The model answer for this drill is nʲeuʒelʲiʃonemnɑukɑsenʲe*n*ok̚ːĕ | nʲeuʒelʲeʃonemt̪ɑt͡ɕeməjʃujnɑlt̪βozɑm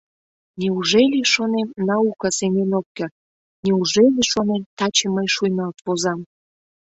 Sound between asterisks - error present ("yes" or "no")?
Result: no